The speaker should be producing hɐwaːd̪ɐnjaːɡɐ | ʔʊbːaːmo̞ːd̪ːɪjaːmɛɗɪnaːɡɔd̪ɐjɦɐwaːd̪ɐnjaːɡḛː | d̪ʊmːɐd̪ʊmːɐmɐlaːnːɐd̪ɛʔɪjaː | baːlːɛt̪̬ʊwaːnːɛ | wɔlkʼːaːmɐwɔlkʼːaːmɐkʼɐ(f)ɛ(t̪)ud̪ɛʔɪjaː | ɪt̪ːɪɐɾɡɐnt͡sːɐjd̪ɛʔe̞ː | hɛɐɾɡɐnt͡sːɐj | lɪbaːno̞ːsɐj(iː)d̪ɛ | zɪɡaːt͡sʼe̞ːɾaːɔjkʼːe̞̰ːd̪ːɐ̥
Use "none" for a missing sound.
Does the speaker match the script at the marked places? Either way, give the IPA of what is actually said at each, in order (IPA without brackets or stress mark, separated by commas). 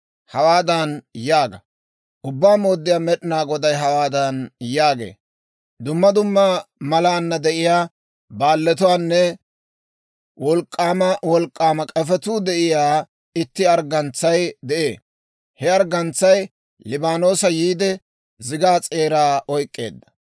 f, t̪, iː